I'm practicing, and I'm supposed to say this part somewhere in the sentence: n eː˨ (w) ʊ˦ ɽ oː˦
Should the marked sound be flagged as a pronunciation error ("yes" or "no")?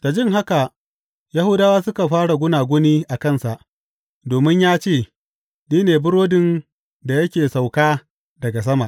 yes